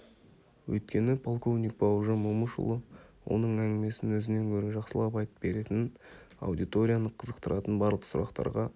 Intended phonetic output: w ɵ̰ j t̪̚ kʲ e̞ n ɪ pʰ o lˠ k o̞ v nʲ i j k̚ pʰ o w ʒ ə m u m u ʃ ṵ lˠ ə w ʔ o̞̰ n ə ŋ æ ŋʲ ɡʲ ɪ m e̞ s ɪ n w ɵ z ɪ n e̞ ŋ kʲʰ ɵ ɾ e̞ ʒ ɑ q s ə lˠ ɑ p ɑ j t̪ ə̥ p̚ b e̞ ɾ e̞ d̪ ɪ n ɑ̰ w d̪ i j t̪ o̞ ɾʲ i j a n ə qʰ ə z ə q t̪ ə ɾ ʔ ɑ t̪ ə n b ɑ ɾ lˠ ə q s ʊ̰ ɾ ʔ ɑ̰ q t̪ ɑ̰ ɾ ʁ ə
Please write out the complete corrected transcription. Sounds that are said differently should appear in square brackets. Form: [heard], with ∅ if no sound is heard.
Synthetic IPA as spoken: w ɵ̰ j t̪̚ kʲ e̞ n ɪ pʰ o lˠ k o̞ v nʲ i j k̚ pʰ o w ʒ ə m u m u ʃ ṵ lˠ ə w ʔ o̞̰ n ə [ɴ] æ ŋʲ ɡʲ ɪ m e̞ s ɪ n w ɵ z ɪ n e̞ ŋ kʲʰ ɵ ɾ e̞ ʒ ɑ q s ə lˠ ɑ p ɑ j t̪ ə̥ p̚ b e̞ ɾ e̞ [t̪] ɪ n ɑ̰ w d̪ i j t̪ o̞ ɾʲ i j a n ə qʰ ə z ə q t̪ ə ɾ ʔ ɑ t̪ ə n b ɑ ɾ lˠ ə q s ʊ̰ ɾ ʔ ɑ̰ q t̪ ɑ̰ ɾ ʁ [ɑ]